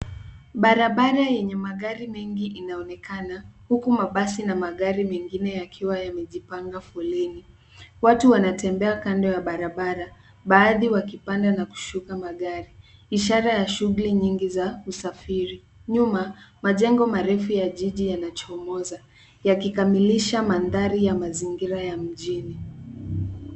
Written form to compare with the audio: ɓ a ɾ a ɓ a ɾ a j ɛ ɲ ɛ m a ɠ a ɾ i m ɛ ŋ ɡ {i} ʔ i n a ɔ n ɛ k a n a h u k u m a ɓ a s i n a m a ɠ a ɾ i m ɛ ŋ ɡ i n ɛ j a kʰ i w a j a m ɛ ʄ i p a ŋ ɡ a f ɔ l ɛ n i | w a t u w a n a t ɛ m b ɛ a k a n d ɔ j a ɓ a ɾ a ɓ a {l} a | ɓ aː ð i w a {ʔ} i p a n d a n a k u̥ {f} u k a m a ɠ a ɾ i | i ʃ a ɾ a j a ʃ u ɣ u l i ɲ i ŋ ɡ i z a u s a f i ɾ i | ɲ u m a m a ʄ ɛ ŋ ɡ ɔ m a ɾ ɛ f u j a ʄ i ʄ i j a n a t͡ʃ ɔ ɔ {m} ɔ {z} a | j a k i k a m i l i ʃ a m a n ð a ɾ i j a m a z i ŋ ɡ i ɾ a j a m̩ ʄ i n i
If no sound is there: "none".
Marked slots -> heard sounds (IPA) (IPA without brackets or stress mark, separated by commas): i, ɾ, k, ʃ, m, z